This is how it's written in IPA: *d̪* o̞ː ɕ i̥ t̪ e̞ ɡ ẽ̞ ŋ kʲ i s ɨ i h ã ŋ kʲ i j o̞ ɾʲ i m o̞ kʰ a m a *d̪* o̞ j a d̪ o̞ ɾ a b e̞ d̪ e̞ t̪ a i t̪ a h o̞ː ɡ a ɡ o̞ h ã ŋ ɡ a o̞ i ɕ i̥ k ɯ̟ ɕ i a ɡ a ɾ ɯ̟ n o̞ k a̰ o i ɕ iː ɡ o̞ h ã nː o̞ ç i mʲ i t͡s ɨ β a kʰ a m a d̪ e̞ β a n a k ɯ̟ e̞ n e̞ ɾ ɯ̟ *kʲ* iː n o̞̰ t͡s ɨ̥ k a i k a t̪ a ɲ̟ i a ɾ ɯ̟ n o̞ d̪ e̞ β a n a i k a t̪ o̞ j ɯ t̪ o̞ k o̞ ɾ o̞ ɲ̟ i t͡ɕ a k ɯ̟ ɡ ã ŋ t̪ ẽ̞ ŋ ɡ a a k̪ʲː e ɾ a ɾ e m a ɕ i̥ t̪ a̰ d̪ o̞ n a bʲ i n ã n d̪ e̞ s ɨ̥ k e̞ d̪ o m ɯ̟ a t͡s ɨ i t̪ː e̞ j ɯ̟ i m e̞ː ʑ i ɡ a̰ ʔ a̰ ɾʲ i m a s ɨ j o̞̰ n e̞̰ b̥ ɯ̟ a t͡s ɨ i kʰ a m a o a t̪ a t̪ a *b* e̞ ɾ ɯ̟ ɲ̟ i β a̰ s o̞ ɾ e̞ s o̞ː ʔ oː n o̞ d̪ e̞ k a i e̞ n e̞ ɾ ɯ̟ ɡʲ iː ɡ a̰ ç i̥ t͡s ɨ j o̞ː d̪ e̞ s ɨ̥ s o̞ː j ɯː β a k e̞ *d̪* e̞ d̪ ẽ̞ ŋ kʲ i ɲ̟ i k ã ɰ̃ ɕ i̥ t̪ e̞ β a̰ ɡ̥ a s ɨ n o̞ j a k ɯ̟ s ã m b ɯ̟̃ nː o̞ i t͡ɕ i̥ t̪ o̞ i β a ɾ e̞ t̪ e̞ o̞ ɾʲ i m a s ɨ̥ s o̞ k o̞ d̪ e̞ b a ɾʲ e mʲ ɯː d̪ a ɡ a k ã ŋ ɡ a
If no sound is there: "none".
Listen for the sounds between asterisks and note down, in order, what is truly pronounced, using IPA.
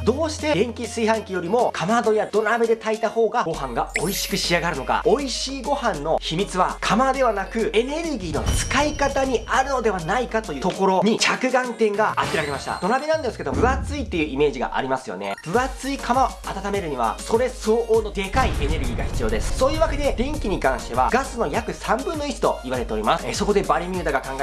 d̪, d̪, ɡʲ, m, d̪

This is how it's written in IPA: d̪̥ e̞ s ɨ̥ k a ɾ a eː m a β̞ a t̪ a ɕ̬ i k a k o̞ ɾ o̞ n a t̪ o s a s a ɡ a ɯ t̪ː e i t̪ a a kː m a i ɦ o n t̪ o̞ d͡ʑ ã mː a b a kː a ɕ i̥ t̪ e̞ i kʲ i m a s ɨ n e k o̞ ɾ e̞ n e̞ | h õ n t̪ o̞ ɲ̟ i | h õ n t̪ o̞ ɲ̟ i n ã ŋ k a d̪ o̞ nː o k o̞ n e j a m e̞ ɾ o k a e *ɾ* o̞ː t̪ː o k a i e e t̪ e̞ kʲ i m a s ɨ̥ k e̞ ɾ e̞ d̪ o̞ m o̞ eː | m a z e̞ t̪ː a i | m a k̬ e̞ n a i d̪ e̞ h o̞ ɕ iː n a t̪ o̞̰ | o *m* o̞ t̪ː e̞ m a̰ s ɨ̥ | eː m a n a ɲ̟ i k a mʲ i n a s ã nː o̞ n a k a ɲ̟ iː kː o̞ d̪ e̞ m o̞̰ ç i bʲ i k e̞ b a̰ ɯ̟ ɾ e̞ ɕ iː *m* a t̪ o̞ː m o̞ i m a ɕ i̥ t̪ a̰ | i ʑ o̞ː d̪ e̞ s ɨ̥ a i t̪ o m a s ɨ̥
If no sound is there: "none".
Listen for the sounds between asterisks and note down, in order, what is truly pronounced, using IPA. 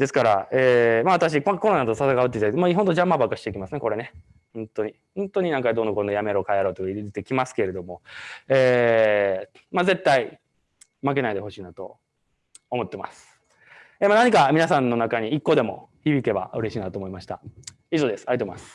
ɾ, m, n

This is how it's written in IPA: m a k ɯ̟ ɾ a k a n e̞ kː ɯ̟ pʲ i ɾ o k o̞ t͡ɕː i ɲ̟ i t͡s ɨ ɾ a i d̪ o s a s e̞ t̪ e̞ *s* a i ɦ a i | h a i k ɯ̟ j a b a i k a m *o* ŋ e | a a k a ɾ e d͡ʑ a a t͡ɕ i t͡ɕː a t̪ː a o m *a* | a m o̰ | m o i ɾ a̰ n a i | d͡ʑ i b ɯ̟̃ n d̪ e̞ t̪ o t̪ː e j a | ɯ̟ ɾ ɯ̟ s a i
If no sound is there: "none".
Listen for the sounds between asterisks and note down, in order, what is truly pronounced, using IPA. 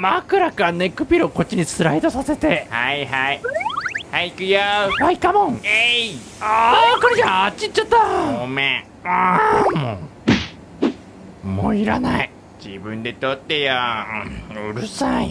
h, õ, e

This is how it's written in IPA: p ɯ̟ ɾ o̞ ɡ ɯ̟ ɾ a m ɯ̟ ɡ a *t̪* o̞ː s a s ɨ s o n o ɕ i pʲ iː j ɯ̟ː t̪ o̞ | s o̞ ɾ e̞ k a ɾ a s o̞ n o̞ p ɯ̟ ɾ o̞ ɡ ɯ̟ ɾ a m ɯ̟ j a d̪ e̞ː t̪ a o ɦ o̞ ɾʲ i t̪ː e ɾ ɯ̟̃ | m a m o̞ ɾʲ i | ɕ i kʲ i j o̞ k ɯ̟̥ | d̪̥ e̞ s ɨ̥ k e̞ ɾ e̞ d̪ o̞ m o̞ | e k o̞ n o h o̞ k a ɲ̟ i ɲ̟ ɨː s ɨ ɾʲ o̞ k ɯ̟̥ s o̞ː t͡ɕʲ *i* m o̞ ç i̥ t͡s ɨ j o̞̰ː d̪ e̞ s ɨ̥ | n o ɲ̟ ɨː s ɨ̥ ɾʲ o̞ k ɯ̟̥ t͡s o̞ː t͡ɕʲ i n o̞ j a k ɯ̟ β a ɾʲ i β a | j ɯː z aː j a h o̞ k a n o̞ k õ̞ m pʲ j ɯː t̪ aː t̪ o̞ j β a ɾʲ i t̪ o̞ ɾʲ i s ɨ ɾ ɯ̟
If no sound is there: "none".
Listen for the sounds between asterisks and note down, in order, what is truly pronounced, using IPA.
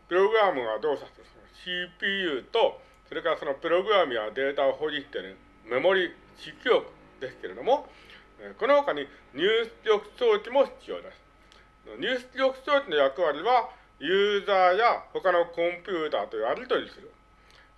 d̪, i

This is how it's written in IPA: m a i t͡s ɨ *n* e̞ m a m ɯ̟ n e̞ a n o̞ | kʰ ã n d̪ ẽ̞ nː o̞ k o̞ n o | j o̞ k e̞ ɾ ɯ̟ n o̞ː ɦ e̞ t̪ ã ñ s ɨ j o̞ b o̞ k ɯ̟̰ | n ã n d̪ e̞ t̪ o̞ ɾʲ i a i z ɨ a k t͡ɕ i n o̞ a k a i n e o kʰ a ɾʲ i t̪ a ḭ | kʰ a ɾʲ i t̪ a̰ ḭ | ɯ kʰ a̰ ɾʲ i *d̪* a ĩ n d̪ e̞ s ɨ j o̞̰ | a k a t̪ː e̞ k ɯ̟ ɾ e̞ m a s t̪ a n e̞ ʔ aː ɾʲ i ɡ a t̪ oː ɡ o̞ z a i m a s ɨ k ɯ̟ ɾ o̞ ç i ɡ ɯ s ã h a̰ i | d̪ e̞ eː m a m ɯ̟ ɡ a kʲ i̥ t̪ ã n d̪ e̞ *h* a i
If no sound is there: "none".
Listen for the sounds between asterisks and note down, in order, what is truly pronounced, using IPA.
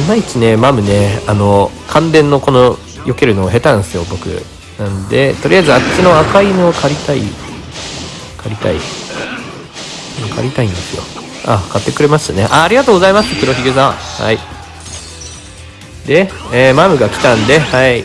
n, t̪, h

